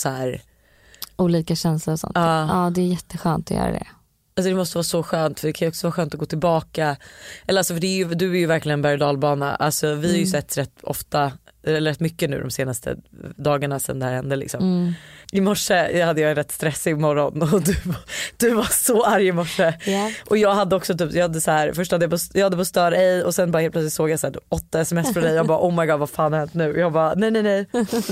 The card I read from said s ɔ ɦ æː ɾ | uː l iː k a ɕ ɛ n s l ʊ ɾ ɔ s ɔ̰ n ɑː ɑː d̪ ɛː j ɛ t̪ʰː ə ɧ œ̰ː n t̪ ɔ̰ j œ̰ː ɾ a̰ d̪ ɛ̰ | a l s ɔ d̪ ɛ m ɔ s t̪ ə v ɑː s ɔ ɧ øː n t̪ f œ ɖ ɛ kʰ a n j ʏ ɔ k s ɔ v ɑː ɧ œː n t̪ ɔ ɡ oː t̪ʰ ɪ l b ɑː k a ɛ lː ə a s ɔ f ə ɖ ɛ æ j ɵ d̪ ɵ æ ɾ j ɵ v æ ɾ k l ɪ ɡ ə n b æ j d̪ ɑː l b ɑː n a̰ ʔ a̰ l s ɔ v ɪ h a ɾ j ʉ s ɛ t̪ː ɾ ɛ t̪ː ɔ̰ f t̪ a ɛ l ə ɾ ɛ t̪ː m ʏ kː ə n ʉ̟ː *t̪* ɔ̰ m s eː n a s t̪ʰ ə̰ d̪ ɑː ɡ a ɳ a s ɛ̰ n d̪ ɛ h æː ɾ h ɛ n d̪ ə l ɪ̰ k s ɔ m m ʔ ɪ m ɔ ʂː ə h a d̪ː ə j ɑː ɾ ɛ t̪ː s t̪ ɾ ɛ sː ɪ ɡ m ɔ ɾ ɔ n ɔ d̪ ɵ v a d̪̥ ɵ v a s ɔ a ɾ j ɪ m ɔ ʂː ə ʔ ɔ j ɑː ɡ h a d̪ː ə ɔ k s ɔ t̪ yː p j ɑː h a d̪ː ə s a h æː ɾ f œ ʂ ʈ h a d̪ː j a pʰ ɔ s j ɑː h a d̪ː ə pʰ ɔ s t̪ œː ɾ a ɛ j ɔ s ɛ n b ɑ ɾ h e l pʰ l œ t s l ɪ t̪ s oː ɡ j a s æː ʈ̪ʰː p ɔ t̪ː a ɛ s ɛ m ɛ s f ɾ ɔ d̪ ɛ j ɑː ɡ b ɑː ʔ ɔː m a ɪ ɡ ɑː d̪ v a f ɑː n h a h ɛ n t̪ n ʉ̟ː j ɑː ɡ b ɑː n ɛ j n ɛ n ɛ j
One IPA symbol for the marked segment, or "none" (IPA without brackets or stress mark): d̪